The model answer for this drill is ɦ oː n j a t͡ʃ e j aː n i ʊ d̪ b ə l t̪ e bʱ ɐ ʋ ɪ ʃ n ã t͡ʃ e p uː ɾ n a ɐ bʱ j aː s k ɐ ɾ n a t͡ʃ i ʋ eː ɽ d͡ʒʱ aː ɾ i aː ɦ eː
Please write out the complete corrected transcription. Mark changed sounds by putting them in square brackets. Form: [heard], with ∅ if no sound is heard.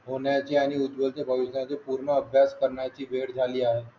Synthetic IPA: ɦ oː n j a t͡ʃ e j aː n i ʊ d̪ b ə l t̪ e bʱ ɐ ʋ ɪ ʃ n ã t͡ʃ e p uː ɾ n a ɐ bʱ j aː s k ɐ ɾ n a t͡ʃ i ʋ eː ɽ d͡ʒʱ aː [l] i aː ɦ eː